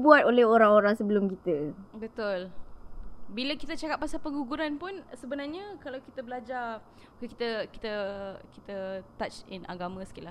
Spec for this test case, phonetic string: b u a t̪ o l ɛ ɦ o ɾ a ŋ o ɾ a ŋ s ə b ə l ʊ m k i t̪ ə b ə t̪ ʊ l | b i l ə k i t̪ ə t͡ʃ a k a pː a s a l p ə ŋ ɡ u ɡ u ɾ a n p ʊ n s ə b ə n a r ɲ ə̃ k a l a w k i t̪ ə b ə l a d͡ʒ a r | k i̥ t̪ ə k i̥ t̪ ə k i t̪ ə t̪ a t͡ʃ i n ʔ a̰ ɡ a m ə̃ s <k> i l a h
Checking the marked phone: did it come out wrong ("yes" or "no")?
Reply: no